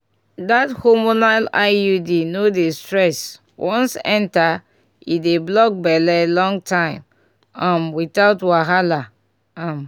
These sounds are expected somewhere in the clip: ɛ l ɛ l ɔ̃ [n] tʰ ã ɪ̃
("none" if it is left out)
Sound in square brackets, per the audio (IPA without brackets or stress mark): ŋ